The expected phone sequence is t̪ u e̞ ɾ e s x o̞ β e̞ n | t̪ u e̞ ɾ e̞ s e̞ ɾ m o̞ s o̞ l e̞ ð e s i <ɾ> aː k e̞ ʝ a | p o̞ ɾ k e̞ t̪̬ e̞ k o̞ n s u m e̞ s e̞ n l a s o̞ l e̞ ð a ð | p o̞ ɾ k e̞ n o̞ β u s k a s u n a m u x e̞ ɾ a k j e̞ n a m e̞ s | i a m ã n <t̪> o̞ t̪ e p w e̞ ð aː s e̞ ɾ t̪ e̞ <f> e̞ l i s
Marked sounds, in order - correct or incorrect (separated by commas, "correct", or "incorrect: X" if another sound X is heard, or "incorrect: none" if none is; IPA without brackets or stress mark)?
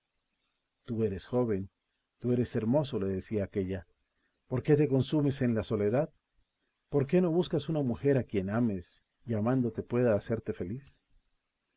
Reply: incorrect: none, incorrect: d̪, correct